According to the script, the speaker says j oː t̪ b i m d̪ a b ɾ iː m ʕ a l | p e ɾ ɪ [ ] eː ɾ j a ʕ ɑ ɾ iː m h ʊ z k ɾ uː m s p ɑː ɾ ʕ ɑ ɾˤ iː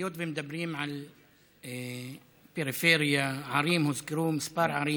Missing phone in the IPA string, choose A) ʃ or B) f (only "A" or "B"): B